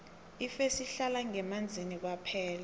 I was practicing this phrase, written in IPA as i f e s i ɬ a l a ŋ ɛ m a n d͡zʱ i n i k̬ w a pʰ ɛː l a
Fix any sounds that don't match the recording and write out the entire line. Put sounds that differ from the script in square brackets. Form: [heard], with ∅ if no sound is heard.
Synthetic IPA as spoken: i f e s i ɬ a l a ŋ ɛ m a n d͡zʱ i n i k̬ w a pʰ ɛː l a